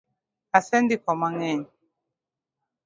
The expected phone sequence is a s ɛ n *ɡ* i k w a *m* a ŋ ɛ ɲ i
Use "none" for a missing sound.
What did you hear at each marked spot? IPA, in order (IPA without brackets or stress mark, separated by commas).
d, m